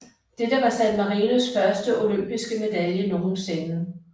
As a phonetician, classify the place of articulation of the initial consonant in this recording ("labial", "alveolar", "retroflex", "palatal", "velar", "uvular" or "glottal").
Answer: alveolar